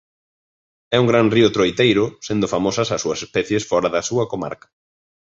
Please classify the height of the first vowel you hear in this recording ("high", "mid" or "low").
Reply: mid